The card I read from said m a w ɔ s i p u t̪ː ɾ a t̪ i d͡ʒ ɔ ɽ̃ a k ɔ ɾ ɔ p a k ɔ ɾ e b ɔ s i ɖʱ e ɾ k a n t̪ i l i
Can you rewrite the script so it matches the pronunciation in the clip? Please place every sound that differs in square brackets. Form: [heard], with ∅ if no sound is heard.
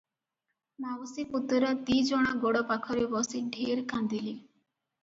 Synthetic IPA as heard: m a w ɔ s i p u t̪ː ɾ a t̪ i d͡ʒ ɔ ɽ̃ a [ɡ] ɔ [ɽ] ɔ p a [kʰ] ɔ ɾ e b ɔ s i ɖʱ e ɾ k a n [d̪] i l i